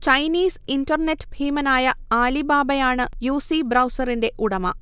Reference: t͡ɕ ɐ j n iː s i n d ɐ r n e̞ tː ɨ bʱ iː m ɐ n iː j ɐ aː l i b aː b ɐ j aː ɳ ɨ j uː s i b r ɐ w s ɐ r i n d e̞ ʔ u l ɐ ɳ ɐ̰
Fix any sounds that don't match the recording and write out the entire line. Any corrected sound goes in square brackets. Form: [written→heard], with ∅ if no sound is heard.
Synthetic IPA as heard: t͡ɕ ɐ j n iː s i n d ɐ r n e̞ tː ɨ bʱ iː m ɐ n [iː→aː] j ɐ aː l i b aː b ɐ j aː ɳ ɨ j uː s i b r ɐ w s ɐ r i n d e̞ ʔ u [l→ɽ] ɐ [ɳ→m] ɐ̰